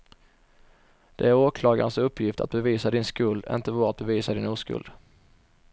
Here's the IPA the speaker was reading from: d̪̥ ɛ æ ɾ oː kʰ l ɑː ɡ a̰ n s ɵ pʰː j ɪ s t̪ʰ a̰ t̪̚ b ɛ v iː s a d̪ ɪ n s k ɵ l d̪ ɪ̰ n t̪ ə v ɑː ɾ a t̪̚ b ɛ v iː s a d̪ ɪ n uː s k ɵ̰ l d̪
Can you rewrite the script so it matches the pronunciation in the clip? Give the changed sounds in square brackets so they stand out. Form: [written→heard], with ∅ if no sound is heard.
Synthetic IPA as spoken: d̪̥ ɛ æ ɾ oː kʰ l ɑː ɡ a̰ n s ɵ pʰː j ɪ [s→f] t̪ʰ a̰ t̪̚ b ɛ v iː s a d̪ ɪ n s k ɵ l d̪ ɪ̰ n t̪ ə v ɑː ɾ a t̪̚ b ɛ v iː s a d̪ ɪ n uː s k ɵ̰ l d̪

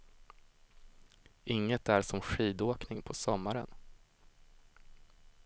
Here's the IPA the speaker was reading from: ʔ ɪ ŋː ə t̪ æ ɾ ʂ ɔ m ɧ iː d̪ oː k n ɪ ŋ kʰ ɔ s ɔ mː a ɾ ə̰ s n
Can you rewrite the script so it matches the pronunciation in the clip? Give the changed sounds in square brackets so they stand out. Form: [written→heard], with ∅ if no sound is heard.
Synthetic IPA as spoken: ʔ ɪ ŋː ə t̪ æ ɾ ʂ ɔ m ɧ iː d̪ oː k n ɪ ŋ [kʰ→pʰ] ɔ s ɔ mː a ɾ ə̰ [s→∅] n

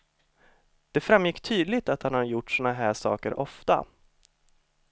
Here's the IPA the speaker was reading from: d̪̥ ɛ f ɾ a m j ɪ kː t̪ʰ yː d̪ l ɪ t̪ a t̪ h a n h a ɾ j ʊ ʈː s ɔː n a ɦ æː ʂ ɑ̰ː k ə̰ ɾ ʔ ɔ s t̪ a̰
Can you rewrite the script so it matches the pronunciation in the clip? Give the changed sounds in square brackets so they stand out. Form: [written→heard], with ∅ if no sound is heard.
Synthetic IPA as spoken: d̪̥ ɛ f ɾ a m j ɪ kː t̪ʰ yː d̪ l ɪ t̪ a t̪ h a n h a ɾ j ʊ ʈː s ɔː n a ɦ æː ʂ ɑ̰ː k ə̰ ɾ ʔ ɔ [s→f] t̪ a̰

